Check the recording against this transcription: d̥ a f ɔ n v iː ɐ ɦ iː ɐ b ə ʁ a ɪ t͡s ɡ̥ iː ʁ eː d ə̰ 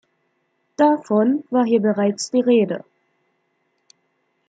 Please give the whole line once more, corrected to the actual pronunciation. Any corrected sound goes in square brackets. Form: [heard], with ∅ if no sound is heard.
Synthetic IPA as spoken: d̥ a f ɔ n v [aː] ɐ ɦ iː ɐ b ə ʁ a ɪ t͡s [d̥] iː ʁ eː d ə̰

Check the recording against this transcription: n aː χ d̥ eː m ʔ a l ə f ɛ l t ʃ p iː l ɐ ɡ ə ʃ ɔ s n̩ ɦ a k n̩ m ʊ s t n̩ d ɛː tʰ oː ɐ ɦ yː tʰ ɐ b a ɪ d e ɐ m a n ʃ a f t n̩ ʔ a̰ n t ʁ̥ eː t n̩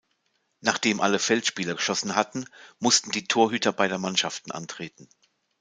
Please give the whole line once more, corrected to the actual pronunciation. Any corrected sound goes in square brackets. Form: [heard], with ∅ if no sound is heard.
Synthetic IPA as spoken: n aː χ d̥ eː m ʔ a l ə f ɛ l t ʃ p iː l ɐ ɡ ə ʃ ɔ s n̩ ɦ a [t] n̩ m ʊ s t n̩ d [iː] tʰ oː ɐ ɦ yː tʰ ɐ b a ɪ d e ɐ m a n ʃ a f t n̩ ʔ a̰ n t ʁ̥ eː t n̩

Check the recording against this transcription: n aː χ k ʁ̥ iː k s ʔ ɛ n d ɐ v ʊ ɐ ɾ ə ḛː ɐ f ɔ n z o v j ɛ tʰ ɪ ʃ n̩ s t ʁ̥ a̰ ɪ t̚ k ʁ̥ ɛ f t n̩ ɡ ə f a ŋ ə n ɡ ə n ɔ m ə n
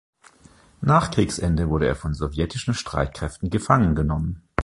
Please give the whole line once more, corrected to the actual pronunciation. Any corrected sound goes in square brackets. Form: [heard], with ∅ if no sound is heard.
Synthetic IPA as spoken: n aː χ k ʁ̥ iː k s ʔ ɛ n d [ə] v ʊ ɐ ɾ ə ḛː ɐ f ɔ n z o v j ɛ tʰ ɪ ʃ n̩ [ʃ] t ʁ̥ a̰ ɪ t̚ k ʁ̥ ɛ f t n̩ ɡ ə f a ŋ ə n ɡ ə n ɔ m ə n

